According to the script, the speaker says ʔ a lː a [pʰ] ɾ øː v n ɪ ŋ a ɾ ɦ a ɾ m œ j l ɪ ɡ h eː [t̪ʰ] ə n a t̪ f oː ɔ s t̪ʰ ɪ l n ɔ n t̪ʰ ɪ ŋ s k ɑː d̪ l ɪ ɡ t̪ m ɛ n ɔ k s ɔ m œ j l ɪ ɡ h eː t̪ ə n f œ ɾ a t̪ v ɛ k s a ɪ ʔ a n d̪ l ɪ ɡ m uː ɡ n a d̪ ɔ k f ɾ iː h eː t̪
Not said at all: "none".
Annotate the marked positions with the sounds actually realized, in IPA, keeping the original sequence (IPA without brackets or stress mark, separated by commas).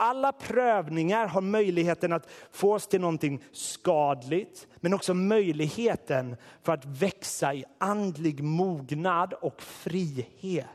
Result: pʰ, t̪